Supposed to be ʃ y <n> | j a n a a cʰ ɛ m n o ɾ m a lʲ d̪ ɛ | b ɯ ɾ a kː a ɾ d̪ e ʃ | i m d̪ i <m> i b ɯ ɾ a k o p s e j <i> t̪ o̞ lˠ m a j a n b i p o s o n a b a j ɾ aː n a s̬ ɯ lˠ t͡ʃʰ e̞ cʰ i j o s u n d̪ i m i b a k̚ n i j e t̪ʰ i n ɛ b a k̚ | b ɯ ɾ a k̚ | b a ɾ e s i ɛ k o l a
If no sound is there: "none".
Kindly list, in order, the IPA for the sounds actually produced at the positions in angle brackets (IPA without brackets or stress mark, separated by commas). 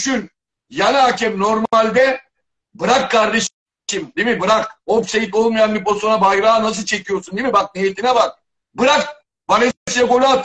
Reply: n, m, i